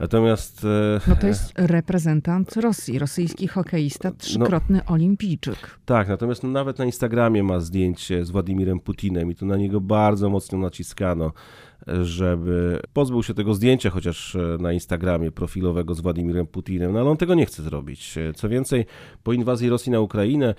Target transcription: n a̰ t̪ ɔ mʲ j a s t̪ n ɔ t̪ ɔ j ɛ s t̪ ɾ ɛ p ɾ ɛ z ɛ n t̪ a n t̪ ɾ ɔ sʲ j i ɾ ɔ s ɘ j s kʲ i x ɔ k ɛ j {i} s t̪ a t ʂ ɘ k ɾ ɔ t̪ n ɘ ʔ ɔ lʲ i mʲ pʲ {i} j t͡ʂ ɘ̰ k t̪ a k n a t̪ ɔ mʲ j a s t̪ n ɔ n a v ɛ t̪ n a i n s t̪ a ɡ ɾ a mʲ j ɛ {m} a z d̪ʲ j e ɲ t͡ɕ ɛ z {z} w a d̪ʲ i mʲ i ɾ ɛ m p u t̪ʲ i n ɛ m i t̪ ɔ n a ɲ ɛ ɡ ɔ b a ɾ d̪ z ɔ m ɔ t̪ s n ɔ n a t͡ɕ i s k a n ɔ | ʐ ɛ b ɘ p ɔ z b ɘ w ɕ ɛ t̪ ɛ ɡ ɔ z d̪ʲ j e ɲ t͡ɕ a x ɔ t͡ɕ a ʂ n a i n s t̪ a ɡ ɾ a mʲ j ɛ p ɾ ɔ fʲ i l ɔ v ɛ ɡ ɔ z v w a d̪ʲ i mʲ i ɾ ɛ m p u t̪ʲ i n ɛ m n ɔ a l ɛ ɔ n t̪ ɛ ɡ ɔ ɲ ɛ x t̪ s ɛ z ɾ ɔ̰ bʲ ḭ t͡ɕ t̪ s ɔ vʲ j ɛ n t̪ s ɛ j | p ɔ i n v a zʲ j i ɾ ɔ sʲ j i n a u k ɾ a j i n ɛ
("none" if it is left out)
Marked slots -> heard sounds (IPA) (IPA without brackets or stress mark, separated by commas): i, i, m, v